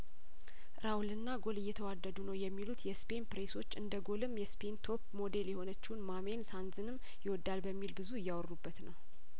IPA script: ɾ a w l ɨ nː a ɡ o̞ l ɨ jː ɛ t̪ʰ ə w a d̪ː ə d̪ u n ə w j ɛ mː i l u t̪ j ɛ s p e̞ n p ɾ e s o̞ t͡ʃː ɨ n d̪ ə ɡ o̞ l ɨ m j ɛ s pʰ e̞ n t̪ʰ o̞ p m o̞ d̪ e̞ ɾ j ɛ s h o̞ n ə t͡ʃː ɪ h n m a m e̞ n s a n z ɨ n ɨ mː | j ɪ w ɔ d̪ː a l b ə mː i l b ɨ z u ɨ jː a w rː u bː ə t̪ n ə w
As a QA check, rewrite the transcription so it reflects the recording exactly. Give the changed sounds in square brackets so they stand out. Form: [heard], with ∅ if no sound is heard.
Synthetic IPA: ɾ a w l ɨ nː a ɡ o̞ l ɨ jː ɛ t̪ʰ ə w a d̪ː ə d̪ u n ə w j ɛ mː i l u t̪ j ɛ s p e̞ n p ɾ e s o̞ t͡ʃː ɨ n d̪ ə ɡ o̞ l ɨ m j ɛ s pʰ e̞ n t̪ʰ o̞ p m o̞ d̪ e̞ [l] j ɛ [∅] h o̞ n ə t͡ʃː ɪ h n m a m e̞ n s a n z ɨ n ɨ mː | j ɪ w ɔ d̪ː a l b ə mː i l b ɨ z u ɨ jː a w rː u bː ə t̪ n ə w